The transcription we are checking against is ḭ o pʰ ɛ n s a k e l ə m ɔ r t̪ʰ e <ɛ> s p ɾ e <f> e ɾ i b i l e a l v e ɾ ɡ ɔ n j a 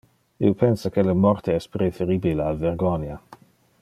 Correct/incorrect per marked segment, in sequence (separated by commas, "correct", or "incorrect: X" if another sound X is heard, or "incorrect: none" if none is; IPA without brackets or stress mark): correct, correct